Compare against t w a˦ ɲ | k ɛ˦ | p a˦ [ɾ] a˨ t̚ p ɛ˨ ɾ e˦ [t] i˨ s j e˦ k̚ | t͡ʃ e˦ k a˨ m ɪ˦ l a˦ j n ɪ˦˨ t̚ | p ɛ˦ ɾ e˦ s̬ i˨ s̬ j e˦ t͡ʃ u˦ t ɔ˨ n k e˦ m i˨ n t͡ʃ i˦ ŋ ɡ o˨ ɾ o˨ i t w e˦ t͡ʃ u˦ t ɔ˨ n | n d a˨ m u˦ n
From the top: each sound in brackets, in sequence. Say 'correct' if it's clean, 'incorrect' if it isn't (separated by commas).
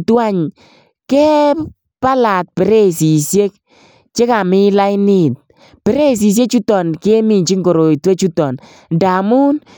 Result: incorrect, incorrect